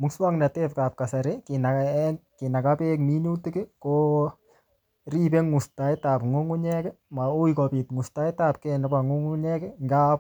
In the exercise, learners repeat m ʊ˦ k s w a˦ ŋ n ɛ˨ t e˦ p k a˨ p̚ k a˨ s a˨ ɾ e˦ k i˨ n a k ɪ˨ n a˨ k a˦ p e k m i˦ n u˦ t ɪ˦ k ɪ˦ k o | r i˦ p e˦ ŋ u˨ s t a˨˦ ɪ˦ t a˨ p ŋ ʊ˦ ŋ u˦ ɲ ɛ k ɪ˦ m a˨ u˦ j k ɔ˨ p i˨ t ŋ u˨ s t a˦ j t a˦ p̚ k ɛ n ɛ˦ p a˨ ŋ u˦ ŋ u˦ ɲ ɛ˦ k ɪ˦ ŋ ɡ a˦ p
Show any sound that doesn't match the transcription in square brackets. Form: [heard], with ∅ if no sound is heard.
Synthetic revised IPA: m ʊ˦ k s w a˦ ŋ n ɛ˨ t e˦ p k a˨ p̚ k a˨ s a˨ ɾ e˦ k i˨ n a k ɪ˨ n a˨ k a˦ p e k m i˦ n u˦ t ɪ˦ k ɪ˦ k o | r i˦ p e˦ ŋ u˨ s t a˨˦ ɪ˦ t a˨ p ŋ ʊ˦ ŋ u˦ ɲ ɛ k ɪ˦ m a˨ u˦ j k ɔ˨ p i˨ t ŋ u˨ s t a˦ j t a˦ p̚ k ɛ n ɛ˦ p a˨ ŋ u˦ ŋ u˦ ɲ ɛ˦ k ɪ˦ ŋ ɡ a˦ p